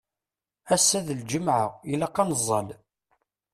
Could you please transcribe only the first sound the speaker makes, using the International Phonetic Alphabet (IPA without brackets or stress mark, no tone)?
æ